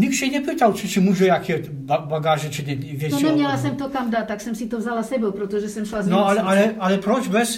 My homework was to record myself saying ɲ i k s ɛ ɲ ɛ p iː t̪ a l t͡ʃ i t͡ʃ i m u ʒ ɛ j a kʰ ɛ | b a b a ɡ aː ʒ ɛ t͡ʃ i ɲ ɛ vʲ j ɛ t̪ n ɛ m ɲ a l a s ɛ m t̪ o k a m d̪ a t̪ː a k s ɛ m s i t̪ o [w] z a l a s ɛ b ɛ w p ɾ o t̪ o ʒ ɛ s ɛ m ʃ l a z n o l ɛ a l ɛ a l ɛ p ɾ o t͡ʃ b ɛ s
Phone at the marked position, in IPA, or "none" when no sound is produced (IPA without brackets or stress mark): v